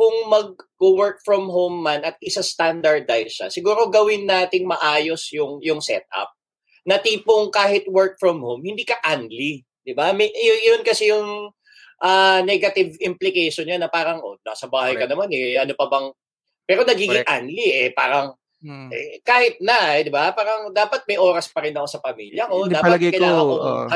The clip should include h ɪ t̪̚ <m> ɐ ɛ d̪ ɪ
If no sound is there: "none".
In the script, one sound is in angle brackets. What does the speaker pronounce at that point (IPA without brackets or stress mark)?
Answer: n